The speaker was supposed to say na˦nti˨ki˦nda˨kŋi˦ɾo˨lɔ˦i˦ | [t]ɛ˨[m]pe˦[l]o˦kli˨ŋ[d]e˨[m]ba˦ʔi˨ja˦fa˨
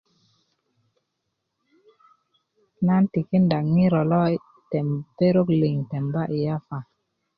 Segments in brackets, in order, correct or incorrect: correct, correct, incorrect: ɾ, incorrect: t, correct

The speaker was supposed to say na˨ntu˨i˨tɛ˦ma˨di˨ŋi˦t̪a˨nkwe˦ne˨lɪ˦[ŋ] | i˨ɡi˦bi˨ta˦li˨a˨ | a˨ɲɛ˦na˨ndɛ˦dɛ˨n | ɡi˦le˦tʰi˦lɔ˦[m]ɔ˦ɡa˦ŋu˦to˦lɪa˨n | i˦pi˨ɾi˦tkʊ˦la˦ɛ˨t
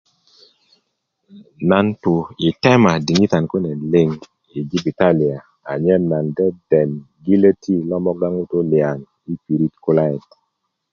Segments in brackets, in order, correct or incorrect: correct, correct

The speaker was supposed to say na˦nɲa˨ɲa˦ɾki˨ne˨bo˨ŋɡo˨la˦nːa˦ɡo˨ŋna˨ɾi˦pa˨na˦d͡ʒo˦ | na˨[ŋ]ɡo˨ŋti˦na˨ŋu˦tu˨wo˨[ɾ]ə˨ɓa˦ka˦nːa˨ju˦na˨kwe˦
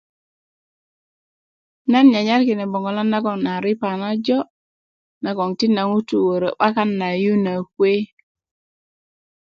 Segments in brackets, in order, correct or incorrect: incorrect: none, correct

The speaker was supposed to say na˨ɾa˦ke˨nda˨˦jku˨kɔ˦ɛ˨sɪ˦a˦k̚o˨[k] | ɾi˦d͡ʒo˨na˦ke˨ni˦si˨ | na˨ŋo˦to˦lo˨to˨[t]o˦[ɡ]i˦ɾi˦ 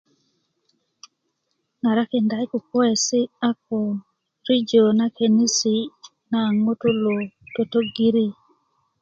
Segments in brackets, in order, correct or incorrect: incorrect: none, correct, correct

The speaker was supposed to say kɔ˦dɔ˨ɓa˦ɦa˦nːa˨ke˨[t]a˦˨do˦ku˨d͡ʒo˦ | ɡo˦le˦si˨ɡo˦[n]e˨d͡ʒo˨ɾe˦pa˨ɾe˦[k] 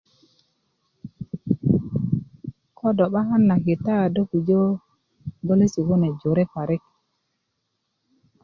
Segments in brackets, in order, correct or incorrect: correct, correct, correct

